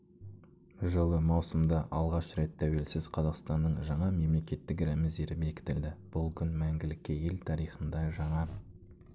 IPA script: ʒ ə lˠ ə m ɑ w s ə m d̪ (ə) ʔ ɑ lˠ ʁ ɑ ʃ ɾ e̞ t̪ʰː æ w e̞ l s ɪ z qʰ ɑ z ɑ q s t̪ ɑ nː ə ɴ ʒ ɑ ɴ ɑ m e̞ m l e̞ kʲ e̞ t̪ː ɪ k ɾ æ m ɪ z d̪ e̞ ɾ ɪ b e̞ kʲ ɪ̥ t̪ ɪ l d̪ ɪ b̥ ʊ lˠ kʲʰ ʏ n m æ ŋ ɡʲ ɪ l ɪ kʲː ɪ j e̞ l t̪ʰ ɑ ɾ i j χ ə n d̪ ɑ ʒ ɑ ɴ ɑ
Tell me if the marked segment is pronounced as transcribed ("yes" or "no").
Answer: no